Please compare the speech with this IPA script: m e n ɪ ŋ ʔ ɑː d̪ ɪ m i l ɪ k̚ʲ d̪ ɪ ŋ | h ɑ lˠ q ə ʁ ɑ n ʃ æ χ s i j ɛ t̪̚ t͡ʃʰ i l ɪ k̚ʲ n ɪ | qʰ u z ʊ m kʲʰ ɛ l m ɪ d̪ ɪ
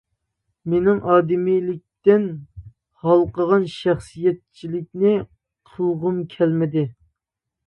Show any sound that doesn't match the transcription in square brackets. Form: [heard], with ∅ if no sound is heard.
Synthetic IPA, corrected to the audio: m e n ɪ ŋ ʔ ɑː d̪ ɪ m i l ɪ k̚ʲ [t̪] ɪ [n] | h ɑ lˠ q ə ʁ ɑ n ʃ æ χ s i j ɛ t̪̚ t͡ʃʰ i l ɪ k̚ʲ n ɪ | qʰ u [ʁ] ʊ m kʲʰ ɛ l m ɪ d̪ ɪ